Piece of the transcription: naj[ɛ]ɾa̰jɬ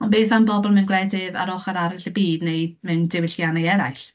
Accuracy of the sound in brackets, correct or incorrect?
correct